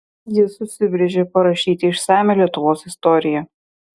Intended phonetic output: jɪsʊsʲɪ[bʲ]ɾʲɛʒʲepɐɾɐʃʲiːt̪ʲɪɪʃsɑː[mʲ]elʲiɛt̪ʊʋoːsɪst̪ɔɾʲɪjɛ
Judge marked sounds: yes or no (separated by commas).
yes, yes